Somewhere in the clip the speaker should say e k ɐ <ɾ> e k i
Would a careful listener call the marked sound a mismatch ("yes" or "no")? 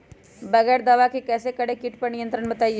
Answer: yes